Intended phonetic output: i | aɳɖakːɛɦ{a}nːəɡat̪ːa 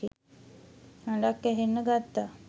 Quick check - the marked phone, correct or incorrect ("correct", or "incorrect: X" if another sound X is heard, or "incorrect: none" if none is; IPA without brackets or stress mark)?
incorrect: e